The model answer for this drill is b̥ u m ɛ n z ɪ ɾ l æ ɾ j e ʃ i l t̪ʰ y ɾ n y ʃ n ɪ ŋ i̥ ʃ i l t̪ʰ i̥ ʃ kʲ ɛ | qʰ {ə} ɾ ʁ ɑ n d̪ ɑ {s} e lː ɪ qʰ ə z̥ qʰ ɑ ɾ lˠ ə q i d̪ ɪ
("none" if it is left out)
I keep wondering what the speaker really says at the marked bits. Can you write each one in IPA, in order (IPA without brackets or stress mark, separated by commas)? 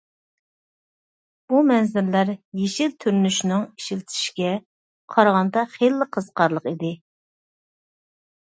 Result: ɑ, χ